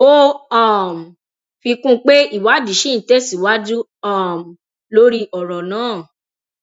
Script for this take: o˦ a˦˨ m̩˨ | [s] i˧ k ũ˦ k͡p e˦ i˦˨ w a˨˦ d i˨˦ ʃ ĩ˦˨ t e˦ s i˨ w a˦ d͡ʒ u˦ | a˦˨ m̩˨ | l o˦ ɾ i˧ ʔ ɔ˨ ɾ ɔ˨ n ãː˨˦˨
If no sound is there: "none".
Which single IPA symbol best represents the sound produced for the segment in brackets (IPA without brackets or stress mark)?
f